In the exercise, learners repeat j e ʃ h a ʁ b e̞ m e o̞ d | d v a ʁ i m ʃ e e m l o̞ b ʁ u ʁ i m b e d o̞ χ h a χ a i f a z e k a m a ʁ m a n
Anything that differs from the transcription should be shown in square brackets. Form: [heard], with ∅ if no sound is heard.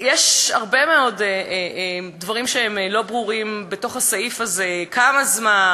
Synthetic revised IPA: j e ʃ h a ʁ b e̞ m e o̞ d | d v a ʁ i m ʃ e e m l o̞ b ʁ u ʁ i m b e [t] o̞ χ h a [s] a i f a z e k a m a [z] m a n